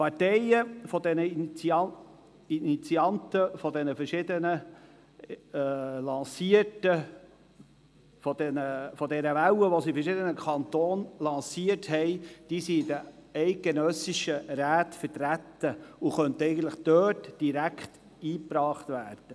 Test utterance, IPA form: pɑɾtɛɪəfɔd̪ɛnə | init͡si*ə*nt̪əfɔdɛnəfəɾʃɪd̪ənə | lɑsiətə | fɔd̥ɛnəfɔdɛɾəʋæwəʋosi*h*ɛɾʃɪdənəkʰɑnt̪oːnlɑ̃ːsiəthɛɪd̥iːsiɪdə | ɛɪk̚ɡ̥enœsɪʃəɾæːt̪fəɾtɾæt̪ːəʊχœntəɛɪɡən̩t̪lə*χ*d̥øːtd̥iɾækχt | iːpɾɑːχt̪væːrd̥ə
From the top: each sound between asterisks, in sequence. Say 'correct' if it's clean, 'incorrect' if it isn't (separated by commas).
incorrect, incorrect, correct